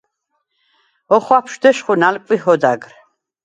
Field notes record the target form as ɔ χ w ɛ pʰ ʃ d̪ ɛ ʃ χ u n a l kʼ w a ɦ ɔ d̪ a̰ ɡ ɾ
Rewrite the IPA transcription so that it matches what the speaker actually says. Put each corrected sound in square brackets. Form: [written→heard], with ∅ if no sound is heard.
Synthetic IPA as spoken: ɔ χ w [ɛ→a] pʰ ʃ d̪ ɛ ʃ χ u n a l kʼ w [a→i] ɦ ɔ d̪ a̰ ɡ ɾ